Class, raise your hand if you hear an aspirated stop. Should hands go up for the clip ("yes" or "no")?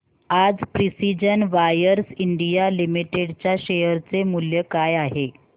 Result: no